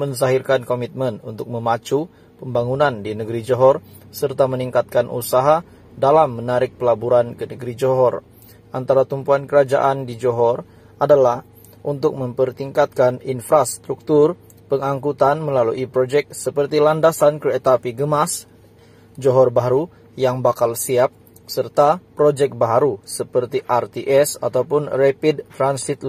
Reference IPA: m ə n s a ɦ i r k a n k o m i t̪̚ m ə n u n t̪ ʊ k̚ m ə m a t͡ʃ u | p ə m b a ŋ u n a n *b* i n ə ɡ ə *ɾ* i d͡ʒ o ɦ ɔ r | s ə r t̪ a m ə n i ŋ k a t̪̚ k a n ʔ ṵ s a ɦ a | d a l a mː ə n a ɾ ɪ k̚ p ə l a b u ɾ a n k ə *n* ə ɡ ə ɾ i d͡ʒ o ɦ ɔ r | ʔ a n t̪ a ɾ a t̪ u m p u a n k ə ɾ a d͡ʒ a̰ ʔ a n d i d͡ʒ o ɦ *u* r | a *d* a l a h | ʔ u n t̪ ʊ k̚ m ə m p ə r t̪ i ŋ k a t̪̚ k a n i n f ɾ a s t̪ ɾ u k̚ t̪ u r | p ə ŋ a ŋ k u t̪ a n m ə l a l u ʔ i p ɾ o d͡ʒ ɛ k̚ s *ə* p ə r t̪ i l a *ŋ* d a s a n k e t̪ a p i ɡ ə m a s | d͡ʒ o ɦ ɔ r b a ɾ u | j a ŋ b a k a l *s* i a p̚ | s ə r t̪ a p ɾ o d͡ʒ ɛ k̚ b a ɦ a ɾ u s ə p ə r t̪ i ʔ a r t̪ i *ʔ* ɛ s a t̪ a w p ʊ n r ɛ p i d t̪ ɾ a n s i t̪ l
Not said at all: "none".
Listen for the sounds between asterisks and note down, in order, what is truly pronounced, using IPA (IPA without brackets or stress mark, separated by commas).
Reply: d, ɾ, n, ɔ, d, ə, n, s, ʔ